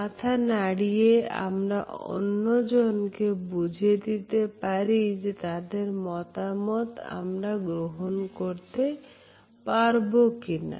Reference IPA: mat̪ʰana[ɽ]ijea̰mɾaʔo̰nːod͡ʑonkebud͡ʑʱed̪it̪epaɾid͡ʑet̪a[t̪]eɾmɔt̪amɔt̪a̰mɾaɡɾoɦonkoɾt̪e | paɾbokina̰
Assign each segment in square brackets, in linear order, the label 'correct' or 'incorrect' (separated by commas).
correct, incorrect